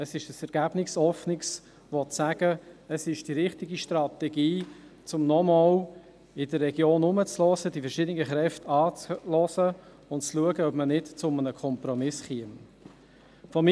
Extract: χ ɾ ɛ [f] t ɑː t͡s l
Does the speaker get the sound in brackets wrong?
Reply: no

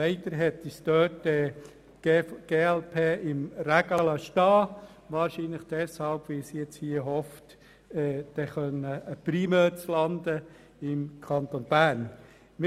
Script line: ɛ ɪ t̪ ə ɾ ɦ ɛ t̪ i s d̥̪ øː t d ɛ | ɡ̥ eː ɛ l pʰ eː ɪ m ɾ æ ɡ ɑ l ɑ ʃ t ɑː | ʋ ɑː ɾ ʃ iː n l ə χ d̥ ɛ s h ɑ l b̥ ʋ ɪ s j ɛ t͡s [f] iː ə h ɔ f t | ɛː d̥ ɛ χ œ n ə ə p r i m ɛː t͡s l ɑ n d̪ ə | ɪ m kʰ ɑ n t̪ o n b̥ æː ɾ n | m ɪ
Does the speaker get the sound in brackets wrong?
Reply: yes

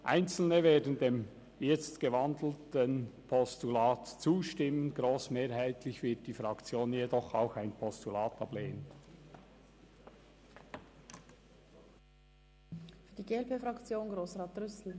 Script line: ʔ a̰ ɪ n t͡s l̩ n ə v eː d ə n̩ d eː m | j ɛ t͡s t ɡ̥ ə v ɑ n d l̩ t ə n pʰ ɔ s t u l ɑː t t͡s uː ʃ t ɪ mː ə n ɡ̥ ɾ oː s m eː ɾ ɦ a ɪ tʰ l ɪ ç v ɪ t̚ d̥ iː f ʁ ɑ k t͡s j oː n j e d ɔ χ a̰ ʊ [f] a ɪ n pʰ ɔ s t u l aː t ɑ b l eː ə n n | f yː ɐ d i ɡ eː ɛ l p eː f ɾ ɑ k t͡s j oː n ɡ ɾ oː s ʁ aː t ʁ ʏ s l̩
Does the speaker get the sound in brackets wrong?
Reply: yes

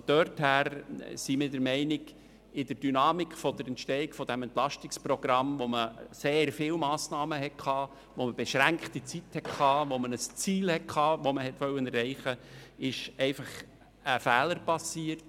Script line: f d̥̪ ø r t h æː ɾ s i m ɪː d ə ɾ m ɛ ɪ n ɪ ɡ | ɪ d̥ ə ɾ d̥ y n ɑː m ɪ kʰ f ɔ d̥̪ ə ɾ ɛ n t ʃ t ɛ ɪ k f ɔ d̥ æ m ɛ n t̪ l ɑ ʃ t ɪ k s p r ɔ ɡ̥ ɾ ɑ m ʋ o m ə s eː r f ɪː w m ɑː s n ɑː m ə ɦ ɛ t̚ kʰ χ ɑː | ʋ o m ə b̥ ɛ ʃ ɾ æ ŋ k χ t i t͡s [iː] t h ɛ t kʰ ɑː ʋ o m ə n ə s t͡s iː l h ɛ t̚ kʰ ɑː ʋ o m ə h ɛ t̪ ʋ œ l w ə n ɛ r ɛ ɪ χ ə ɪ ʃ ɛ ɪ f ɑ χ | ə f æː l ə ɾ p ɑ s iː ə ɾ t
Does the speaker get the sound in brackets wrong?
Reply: yes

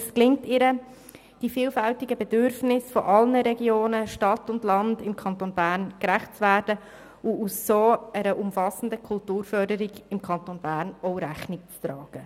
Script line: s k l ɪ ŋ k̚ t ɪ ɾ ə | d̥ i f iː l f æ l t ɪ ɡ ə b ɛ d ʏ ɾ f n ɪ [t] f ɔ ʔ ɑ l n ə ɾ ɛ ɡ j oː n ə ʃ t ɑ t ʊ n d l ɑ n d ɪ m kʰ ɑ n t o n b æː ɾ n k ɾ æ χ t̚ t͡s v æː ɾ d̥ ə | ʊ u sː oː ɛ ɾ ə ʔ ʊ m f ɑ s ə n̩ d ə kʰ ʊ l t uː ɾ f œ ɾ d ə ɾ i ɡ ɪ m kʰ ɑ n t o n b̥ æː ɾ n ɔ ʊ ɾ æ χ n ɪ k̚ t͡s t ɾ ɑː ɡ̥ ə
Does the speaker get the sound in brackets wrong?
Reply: yes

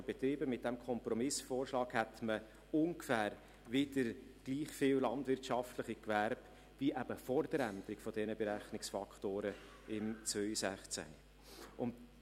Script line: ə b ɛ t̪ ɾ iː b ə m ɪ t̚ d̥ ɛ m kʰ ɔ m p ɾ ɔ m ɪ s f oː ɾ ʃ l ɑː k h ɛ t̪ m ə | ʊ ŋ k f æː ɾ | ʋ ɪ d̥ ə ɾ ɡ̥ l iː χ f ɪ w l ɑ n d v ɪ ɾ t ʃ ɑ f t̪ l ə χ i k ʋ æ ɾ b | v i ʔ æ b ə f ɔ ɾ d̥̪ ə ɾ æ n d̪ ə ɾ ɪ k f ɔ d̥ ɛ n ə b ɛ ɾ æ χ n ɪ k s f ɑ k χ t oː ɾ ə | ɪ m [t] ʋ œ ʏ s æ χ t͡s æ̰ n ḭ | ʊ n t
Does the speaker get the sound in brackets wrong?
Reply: yes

